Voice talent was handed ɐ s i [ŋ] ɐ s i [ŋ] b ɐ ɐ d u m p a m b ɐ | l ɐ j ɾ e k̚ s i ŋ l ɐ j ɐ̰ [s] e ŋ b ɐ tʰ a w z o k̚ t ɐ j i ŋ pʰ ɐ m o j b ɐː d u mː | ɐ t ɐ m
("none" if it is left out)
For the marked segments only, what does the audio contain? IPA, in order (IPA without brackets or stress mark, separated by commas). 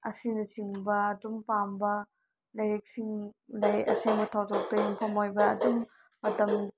n, ŋ, s